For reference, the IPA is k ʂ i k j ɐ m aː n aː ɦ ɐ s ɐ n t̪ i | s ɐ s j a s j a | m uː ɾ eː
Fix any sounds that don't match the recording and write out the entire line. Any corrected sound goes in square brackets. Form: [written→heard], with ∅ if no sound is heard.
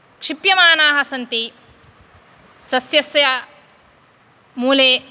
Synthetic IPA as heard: k ʂ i [k→p] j ɐ m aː n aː ɦ ɐ s ɐ n t̪ i | s ɐ s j [a→ɐ] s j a | m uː [ɾ→l] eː